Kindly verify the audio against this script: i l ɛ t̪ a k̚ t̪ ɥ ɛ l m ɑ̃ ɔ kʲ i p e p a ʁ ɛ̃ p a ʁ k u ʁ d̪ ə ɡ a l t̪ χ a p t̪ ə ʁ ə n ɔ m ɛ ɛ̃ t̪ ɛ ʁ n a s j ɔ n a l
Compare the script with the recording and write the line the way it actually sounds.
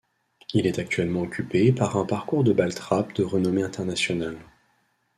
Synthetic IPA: i l ɛ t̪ a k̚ t̪ ɥ ɛ l m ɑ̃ ɔ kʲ y p e p a ʁ ɛ̃ p a ʁ k u ʁ d̪ ə b a l t̪ χ a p d̪ ə ʁ ə n ɔ m e ɛ̃ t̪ ɛ ʁ n a s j ɔ n a l